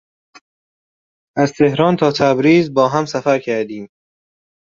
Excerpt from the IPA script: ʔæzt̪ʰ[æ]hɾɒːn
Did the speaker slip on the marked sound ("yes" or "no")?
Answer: yes